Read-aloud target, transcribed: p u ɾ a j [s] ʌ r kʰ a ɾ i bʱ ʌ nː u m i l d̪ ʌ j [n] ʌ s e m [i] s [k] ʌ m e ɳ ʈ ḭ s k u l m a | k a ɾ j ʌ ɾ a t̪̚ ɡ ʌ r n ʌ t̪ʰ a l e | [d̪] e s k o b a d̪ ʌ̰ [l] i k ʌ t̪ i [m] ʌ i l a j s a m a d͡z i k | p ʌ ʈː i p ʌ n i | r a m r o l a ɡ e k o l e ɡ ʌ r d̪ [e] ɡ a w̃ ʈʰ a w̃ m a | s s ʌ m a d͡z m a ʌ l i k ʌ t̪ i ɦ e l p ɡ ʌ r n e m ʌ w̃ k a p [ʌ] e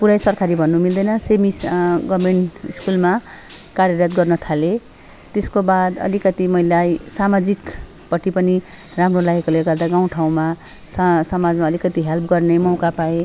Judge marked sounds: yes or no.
yes, yes, yes, no, no, yes, yes, no, no

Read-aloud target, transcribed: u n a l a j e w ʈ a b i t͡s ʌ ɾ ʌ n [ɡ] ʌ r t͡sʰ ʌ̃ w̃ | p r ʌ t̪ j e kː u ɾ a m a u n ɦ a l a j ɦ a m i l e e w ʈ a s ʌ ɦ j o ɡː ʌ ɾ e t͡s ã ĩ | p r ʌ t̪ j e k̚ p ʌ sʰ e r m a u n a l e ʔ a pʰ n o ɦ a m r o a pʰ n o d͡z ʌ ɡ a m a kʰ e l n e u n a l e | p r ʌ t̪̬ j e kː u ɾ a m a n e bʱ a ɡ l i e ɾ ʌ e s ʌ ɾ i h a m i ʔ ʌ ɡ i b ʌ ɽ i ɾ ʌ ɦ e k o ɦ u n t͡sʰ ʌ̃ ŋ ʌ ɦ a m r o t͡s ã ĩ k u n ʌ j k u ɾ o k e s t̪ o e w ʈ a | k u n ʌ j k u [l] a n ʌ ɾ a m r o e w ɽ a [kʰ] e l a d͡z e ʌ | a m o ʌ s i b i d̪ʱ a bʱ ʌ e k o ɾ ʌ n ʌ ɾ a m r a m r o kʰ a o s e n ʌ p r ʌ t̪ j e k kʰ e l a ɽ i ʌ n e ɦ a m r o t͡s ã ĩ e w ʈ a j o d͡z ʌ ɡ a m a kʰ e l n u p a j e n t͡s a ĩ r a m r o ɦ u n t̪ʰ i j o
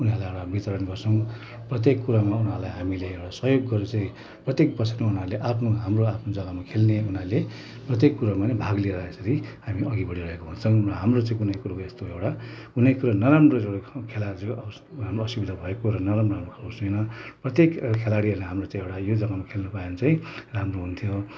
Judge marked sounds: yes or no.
yes, no, yes

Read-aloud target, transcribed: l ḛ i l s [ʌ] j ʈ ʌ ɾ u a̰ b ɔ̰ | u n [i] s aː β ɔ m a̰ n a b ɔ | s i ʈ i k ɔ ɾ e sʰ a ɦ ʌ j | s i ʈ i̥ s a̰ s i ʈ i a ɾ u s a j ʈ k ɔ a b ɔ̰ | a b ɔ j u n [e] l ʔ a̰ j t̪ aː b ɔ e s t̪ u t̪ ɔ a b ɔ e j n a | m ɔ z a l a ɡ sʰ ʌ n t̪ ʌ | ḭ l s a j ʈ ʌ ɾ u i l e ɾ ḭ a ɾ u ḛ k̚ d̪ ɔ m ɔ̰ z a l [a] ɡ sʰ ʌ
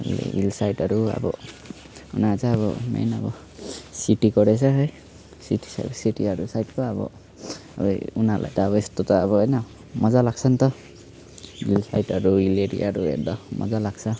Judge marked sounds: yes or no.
no, no, no, yes

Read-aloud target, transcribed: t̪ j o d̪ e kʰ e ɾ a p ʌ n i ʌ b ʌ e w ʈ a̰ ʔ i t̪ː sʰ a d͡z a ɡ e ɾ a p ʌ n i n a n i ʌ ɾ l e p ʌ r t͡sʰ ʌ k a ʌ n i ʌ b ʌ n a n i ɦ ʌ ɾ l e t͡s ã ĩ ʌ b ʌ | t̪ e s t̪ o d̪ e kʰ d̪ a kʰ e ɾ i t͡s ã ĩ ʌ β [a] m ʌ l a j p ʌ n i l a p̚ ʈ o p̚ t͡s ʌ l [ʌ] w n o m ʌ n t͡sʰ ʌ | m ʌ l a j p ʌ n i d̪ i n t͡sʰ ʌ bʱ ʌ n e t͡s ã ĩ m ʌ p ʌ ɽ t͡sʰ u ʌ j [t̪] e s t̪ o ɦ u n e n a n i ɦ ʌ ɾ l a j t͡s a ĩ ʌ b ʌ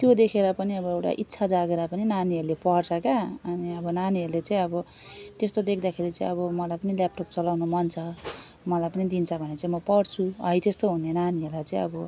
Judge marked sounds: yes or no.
no, no, yes

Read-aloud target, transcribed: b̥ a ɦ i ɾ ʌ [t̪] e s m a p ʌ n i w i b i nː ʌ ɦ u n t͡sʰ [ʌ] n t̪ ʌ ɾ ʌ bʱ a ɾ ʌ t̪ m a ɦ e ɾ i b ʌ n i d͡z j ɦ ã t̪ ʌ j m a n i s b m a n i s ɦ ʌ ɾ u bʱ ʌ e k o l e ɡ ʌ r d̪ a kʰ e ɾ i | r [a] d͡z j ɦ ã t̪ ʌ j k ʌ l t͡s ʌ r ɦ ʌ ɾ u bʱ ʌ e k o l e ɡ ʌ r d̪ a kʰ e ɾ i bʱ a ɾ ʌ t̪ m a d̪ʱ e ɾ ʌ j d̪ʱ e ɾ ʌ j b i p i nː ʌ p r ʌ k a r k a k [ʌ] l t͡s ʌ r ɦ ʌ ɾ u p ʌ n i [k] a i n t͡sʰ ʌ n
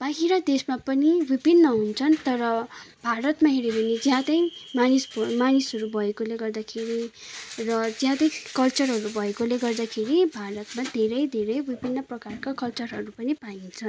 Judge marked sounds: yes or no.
no, yes, no, yes, no

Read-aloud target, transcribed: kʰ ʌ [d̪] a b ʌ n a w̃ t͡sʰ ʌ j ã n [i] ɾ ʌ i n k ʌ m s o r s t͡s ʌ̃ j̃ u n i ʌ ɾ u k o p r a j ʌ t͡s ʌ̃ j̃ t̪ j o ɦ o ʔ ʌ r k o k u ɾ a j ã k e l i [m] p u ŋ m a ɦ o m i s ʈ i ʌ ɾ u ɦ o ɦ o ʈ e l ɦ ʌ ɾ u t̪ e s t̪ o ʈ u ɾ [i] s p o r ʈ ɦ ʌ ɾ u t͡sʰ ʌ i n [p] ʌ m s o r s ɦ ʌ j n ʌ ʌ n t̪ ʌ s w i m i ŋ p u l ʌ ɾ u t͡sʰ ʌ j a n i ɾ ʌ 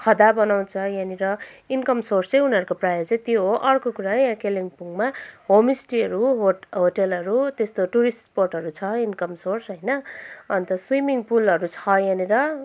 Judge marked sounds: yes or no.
yes, yes, no, yes, no

